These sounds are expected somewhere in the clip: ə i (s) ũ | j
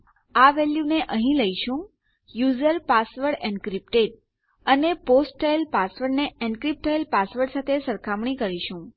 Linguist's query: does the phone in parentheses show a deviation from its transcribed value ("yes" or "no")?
yes